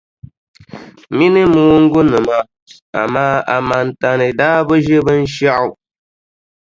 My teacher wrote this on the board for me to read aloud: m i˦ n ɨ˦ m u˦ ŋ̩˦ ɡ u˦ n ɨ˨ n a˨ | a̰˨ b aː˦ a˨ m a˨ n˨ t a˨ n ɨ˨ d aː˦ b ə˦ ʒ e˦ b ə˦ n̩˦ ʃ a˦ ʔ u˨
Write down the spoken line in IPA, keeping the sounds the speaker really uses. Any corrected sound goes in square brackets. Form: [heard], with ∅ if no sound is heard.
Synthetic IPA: m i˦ n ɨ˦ m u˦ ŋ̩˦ ɡ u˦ n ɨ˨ [m] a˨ | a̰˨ [m] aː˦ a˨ m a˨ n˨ t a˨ n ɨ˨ d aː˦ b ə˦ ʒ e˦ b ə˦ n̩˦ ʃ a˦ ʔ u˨